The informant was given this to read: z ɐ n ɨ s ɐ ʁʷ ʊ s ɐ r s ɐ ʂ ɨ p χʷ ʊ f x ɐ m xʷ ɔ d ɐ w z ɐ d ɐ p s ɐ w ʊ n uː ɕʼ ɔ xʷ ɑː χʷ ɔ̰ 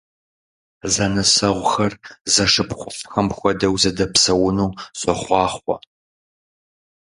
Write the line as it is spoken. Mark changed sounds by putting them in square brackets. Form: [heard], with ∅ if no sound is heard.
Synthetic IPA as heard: z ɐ n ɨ s ɐ ʁʷ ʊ [x] ɐ r [z] ɐ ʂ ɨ p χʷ ʊ f x ɐ m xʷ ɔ d ɐ w z ɐ d ɐ p s ɐ w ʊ n uː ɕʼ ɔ [χʷ] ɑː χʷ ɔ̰